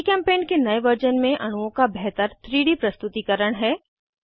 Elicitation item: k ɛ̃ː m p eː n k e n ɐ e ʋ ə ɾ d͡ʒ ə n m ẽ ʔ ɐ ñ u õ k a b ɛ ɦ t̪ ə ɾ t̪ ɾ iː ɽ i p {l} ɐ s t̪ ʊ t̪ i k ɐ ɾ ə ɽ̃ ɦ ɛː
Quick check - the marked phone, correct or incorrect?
incorrect: ɾ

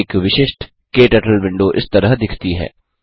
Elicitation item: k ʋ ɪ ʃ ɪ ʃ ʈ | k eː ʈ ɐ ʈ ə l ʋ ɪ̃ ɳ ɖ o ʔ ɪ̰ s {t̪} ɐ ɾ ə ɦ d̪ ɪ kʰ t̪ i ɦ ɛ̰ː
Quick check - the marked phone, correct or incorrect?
correct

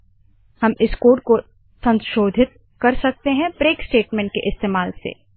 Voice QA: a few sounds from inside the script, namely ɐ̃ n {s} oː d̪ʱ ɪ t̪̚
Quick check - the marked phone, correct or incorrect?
incorrect: ʃ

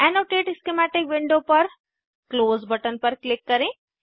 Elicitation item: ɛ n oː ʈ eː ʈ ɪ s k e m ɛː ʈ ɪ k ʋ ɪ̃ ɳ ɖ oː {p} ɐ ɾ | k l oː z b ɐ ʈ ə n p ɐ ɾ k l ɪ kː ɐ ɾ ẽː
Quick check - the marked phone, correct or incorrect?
correct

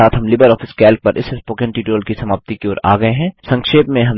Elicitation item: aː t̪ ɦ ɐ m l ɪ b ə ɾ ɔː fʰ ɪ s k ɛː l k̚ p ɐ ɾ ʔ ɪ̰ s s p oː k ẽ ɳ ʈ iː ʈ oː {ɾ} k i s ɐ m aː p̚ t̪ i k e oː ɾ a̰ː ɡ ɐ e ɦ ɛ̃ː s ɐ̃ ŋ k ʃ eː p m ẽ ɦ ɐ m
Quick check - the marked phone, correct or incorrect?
incorrect: l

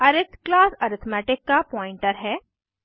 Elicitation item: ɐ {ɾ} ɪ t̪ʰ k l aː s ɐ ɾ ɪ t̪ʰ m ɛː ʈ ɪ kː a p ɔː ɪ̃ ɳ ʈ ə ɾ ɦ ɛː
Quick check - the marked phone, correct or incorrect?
correct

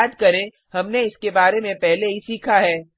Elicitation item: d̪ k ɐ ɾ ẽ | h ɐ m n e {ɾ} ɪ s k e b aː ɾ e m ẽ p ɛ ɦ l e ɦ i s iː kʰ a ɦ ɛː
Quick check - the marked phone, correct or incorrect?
incorrect: none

